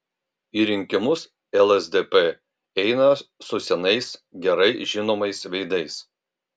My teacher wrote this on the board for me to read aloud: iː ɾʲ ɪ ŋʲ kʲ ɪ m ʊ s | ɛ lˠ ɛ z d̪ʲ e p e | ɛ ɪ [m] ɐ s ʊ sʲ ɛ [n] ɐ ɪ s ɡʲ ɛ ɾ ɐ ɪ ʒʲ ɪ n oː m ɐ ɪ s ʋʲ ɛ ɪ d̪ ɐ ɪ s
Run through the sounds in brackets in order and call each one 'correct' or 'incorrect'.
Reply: incorrect: n, correct

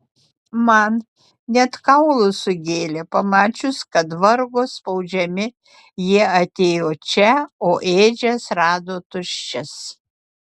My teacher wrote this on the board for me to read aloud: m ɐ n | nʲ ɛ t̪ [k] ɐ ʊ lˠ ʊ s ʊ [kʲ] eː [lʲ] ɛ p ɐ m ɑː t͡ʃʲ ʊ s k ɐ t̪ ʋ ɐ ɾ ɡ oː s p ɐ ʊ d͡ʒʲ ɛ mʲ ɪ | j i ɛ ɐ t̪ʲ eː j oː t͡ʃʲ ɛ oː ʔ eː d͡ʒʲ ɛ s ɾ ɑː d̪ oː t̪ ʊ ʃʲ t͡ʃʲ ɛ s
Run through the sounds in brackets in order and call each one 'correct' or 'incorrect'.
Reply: correct, incorrect: ɡʲ, correct

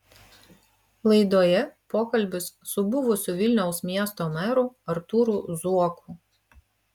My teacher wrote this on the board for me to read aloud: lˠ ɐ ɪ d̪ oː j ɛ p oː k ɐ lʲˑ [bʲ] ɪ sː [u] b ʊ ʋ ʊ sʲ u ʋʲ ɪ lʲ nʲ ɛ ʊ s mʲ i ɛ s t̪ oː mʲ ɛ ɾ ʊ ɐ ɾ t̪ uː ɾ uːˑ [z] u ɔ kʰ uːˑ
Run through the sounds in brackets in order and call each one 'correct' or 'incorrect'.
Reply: correct, incorrect: ʊ, correct

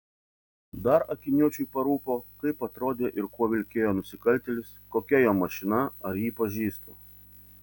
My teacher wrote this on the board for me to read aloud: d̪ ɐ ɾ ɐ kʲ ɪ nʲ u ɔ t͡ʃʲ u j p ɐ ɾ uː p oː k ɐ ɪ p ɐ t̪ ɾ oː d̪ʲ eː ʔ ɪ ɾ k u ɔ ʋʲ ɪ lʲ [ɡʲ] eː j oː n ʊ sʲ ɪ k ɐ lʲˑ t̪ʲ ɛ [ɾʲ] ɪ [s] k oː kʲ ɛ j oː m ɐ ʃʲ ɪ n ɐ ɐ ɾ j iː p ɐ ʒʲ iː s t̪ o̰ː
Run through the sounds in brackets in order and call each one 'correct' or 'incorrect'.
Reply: incorrect: kʲ, incorrect: lʲ, correct

